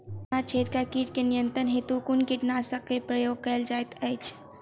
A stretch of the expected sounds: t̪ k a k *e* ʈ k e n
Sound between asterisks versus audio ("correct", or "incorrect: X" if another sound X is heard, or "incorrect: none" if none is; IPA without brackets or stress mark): incorrect: i